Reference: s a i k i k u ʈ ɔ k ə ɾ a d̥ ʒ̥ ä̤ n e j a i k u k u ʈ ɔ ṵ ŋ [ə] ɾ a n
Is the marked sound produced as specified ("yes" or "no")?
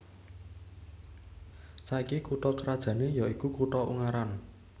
no